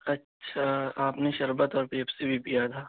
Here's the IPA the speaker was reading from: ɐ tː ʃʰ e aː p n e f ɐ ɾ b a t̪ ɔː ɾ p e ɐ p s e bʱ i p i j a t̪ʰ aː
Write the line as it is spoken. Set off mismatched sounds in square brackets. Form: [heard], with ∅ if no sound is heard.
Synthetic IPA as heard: ɐ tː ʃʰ [a] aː p n e [ʃ] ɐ ɾ b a t̪ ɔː ɾ p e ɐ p s e bʱ i p i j a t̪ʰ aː